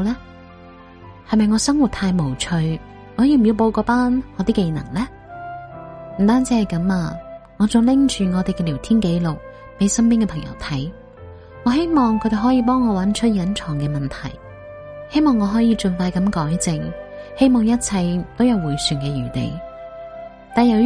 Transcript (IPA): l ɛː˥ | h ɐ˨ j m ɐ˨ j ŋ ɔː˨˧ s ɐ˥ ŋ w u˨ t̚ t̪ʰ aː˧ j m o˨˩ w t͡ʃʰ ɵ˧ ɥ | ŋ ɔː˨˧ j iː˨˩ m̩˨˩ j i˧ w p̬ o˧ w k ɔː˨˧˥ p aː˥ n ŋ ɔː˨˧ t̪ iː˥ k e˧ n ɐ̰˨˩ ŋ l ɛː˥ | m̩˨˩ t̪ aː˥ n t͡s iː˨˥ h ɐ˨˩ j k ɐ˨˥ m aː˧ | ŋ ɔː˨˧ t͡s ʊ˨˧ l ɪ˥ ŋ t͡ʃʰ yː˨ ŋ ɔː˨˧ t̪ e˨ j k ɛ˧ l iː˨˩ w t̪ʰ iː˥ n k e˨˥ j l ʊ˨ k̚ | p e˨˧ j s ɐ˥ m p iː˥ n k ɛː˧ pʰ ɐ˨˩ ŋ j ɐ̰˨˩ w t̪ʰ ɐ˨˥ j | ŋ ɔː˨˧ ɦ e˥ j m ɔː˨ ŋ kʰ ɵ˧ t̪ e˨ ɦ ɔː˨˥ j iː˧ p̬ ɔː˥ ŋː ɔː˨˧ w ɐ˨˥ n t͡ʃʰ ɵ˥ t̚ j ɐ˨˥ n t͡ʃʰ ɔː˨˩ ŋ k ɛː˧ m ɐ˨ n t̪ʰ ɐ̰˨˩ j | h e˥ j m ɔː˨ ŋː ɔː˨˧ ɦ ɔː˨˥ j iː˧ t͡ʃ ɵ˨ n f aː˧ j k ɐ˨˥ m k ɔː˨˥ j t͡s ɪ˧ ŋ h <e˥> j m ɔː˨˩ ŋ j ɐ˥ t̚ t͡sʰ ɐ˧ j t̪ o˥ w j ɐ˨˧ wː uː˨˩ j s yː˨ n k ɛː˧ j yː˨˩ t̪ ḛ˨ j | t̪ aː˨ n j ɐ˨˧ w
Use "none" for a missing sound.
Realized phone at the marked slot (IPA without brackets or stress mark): e˥